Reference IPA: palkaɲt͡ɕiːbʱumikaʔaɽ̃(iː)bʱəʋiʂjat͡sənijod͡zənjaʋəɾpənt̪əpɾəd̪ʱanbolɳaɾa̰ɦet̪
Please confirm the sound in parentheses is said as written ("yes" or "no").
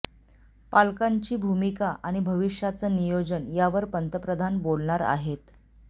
no